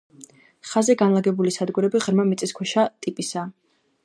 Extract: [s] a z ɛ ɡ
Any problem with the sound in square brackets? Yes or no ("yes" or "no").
yes